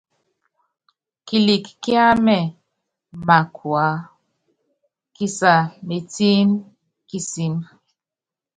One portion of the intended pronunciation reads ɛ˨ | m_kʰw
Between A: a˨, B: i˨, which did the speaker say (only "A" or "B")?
A